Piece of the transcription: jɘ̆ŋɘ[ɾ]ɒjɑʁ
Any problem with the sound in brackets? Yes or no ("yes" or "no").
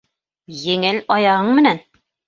yes